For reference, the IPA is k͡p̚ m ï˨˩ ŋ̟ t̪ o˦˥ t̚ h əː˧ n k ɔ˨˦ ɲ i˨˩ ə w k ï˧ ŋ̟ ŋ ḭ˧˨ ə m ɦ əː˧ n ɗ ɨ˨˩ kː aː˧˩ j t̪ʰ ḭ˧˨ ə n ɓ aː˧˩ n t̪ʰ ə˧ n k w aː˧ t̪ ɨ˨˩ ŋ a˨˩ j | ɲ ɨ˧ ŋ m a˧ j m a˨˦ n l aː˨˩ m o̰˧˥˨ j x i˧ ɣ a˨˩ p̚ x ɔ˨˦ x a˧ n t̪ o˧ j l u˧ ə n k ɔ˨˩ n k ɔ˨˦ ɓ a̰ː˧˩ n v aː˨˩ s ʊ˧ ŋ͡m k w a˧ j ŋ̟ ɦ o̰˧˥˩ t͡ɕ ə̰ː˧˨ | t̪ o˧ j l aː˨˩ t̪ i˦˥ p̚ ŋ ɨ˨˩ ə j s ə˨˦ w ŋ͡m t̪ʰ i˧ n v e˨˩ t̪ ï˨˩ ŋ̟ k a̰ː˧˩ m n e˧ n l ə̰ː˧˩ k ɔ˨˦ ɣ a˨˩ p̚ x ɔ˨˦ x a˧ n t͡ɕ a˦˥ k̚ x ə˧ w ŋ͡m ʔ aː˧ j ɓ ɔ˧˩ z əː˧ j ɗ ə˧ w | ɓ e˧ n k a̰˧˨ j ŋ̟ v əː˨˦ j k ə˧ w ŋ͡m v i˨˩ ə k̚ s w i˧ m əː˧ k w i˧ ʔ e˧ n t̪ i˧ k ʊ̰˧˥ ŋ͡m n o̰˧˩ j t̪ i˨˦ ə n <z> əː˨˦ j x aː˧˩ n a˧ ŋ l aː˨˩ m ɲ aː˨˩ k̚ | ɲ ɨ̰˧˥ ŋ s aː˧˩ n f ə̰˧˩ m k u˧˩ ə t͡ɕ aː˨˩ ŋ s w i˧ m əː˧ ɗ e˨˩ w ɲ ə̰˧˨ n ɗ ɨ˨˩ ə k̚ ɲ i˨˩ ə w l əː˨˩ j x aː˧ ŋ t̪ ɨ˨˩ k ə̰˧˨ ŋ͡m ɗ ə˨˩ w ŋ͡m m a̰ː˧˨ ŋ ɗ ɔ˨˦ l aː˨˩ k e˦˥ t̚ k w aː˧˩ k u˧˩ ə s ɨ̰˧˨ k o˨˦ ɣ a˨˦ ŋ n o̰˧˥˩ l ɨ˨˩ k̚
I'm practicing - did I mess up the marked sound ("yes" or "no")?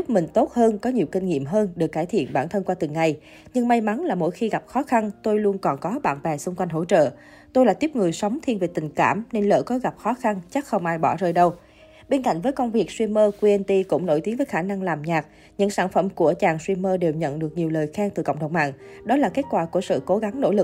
yes